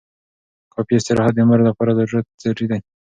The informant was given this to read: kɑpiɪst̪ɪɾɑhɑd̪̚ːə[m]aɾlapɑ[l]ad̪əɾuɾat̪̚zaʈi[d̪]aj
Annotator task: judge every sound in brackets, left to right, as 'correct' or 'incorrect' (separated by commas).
correct, incorrect, correct